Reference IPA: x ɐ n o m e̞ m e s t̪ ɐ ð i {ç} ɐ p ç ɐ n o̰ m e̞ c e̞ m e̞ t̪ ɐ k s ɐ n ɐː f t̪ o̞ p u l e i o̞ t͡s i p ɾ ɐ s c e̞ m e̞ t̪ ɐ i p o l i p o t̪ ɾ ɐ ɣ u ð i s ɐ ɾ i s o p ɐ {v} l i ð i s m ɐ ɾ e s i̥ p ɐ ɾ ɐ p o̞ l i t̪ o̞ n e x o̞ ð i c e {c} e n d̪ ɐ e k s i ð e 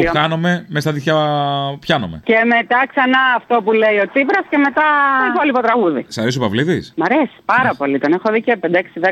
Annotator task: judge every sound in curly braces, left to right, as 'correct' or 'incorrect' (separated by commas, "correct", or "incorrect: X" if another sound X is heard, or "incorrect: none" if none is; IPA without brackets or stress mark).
correct, correct, incorrect: p